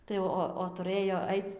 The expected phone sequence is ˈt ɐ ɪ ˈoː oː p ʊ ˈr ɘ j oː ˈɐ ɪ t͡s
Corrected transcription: ˈt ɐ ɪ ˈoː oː t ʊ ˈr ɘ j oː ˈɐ ɪ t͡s